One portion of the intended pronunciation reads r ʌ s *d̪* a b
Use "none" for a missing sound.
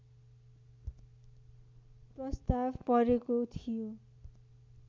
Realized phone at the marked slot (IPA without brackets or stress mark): t̪